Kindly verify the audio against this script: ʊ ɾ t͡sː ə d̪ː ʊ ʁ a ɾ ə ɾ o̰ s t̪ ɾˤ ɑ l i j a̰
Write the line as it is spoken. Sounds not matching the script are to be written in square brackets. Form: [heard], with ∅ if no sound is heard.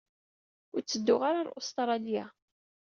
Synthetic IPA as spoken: ʊ ɾ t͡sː ə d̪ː ʊ ʁ a ɾ [a] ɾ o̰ s t̪ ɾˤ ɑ l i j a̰